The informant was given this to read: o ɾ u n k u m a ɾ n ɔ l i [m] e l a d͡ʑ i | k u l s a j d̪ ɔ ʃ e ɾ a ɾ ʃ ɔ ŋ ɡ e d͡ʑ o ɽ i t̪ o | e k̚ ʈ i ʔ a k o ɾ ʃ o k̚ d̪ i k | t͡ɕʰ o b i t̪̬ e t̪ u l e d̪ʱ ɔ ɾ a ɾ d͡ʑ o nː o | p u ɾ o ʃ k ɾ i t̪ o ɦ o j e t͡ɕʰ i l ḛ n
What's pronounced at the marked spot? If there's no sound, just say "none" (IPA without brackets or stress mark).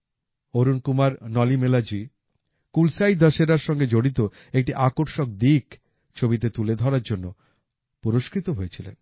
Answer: m